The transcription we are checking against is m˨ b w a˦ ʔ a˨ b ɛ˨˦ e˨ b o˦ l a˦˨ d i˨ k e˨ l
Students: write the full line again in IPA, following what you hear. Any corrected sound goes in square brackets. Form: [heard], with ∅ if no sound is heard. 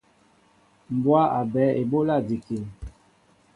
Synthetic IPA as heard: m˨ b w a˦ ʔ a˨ b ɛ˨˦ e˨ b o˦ l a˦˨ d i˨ k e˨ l

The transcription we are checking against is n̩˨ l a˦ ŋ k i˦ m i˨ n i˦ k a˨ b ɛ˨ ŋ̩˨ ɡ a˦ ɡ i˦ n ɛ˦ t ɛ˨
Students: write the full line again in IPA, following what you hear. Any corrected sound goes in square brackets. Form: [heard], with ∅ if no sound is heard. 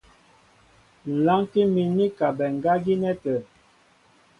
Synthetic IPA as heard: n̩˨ l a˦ ŋ k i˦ m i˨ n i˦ k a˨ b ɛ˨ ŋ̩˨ ɡ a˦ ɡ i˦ n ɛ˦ t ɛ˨

